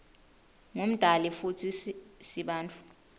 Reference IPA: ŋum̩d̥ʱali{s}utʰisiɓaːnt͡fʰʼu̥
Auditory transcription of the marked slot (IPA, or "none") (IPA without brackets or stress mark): f